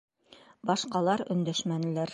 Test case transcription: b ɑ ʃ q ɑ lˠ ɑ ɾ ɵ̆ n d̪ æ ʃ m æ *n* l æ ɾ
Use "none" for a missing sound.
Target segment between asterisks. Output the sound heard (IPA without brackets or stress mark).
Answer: n